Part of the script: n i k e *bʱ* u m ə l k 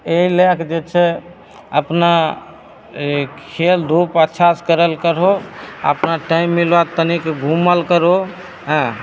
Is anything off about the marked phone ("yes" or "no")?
yes